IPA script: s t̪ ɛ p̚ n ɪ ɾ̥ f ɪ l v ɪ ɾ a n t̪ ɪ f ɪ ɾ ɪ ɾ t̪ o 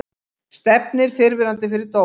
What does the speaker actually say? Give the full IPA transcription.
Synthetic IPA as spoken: s t̪ ɛ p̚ n ɪ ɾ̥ f ɪ ɾ v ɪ ɾ a n t̪ ɪ f ɪ ɾ ɪ ɾ t̪ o